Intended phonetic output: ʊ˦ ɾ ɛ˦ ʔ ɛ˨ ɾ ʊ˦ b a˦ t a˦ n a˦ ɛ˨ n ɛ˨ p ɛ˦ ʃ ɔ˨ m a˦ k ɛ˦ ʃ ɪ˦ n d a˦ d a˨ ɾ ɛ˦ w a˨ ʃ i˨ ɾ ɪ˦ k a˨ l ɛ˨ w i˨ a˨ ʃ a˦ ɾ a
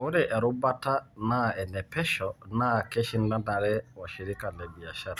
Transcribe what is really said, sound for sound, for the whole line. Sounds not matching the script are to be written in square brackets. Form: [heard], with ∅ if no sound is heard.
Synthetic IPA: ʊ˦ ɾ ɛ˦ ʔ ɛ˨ ɾ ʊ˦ b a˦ t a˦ n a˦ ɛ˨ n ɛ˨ p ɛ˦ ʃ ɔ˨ [n] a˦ k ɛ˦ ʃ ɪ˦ n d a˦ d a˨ ɾ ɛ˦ w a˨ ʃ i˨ ɾ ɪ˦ k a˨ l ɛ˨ [b] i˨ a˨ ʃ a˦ ɾ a